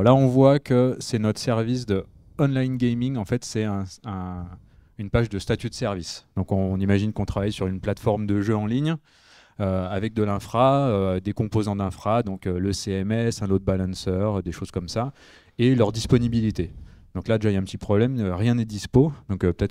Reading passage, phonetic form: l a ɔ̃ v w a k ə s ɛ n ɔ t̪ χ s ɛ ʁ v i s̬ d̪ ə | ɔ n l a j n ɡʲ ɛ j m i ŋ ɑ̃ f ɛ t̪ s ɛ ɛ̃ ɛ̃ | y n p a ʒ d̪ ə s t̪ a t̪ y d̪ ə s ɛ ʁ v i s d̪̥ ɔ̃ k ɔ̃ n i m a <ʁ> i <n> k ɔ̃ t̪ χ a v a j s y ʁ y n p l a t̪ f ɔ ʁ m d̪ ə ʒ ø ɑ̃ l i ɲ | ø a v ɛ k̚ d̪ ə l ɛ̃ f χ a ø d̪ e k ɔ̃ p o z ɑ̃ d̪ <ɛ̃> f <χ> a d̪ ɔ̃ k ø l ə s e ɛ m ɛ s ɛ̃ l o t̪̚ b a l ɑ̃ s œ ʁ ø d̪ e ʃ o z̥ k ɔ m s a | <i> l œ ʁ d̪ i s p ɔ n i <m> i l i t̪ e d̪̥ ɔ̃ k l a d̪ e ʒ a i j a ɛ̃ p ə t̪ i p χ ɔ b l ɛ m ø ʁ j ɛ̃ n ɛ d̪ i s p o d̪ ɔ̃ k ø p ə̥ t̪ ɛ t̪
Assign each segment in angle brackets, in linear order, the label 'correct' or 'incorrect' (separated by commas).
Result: incorrect, correct, correct, correct, incorrect, incorrect